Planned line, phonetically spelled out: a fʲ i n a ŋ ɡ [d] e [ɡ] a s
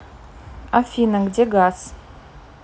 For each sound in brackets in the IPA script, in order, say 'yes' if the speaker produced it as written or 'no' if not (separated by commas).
yes, yes